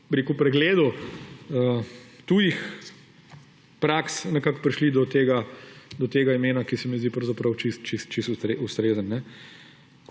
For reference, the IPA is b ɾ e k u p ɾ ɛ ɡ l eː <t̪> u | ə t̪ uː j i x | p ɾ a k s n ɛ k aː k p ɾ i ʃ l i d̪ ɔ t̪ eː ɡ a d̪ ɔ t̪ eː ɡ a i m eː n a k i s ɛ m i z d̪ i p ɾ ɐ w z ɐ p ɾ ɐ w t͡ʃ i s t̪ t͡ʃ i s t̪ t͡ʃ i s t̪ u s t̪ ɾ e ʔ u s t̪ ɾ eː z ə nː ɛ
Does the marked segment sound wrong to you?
yes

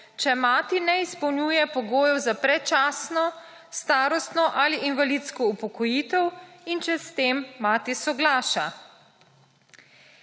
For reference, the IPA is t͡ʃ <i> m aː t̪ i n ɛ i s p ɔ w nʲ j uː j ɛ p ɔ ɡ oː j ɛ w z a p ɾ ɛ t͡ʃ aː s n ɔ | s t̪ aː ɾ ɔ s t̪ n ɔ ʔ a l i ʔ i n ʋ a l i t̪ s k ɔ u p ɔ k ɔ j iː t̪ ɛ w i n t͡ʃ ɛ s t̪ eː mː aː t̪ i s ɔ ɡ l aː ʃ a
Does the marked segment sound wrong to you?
yes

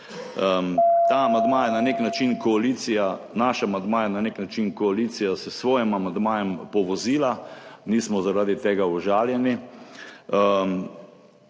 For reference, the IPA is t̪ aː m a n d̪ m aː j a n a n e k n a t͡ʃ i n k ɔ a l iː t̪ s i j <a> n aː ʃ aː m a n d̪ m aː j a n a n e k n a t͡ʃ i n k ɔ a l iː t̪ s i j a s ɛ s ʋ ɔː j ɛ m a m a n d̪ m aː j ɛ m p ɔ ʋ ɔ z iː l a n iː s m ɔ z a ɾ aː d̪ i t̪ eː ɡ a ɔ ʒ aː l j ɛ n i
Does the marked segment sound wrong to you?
no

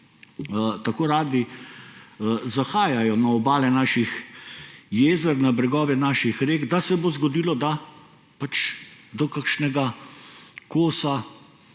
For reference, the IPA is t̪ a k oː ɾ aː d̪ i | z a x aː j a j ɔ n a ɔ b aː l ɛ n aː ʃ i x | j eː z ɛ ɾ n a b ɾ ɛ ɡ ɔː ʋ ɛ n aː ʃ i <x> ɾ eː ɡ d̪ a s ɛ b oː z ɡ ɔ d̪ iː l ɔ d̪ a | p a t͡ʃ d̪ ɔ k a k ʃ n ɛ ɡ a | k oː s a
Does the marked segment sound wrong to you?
no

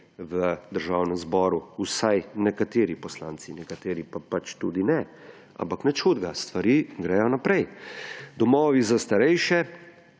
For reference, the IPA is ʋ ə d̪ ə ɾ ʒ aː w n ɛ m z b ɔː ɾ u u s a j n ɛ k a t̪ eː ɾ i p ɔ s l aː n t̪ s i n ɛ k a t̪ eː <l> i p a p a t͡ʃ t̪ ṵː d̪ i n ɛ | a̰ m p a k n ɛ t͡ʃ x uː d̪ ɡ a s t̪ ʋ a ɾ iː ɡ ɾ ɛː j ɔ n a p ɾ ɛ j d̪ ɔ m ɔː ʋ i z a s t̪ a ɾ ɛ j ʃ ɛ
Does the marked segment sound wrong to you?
yes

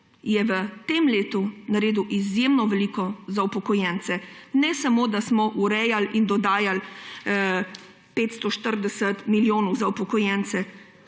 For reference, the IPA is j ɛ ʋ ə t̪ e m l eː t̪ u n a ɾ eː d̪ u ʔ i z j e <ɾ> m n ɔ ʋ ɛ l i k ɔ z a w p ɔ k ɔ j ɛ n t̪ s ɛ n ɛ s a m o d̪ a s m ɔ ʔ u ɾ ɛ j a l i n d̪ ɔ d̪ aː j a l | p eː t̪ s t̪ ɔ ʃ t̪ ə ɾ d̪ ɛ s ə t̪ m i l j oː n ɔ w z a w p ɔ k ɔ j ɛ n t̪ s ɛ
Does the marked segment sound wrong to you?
yes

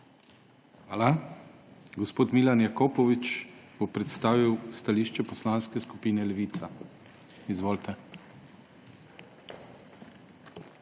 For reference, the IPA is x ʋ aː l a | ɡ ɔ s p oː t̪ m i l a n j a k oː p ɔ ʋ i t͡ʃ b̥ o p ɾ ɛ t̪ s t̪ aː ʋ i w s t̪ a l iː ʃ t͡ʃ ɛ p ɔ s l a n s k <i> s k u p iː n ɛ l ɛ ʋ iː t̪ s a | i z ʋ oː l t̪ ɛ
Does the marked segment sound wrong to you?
yes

